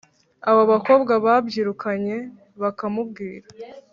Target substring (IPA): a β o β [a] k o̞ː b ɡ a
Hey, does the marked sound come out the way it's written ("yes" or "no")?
yes